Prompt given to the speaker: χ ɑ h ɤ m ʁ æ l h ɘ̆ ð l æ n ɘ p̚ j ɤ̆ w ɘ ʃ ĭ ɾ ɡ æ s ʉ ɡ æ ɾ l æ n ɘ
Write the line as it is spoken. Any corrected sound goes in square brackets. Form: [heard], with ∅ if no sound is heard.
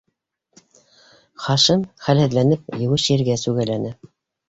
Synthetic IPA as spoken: χ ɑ [ʃ] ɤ m [χ] æ l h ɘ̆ ð l æ n ɘ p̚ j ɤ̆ w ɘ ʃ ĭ ɾ ɡ æ s ʉ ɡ æ [∅] l æ n ɘ